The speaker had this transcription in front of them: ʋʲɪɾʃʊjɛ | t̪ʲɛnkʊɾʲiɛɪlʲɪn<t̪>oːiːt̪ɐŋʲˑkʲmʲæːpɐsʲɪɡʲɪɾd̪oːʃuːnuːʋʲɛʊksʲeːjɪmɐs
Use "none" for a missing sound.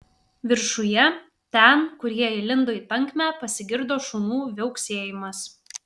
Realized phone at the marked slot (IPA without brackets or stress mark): d̪